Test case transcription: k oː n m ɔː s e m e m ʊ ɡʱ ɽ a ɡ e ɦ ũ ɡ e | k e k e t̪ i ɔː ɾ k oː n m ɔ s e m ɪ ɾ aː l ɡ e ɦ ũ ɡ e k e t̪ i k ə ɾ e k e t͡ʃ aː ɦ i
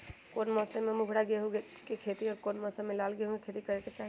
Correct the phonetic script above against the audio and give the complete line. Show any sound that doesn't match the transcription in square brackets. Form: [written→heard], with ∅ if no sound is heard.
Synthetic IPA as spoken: k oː n m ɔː s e m e m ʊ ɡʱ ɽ a ɡ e ɦ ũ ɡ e | k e [k→kʰ] e t̪ i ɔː ɾ k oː n m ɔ s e m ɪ [ɾ→l] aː l ɡ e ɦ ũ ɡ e [k→kʰ] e t̪ i k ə ɾ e k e t͡ʃ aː ɦ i